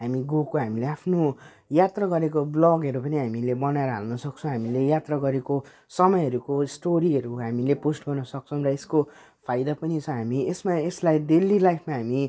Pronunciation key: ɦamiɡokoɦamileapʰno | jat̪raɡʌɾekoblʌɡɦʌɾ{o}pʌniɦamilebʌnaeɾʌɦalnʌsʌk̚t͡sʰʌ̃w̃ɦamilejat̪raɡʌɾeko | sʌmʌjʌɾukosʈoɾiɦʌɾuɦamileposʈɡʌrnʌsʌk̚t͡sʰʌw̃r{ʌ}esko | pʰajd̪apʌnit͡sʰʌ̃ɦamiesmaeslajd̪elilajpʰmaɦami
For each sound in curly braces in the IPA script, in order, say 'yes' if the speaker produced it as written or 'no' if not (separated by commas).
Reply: no, yes